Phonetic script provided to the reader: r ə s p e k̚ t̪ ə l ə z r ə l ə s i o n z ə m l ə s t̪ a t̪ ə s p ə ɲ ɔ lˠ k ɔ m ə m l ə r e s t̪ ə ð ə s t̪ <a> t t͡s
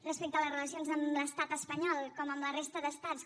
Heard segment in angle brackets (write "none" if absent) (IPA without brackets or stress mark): a